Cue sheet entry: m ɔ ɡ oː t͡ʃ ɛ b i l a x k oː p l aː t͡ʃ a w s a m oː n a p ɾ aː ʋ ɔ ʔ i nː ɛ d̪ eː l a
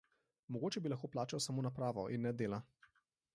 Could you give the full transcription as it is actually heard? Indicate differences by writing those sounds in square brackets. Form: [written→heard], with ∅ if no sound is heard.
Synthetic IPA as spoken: m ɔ ɡ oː t͡ʃ ɛ b i l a x k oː p l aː t͡ʃ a w s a m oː n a p ɾ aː ʋ ɔ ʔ i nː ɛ d̪ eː l a